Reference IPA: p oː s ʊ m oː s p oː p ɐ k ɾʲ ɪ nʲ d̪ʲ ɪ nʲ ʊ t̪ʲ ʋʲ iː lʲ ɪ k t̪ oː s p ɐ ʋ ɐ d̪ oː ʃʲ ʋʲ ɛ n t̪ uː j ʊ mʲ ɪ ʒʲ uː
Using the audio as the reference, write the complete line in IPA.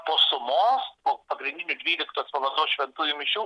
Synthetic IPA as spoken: p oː s ʊ m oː s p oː p ɐ ɡ ɾʲ ɪ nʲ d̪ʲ ɪ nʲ ʊ d̪ʲ ʋʲ iː lʲ ɪ k t̪ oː s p ɐ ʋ ɐ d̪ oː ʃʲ ʋʲ ɛ n t̪ uː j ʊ mʲ ɪ ʃʲ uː